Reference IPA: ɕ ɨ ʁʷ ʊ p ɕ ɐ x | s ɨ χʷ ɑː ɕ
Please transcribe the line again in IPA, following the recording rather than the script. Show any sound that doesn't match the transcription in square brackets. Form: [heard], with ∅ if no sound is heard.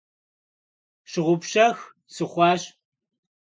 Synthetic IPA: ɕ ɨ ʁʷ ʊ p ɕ ɐ x | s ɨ χʷ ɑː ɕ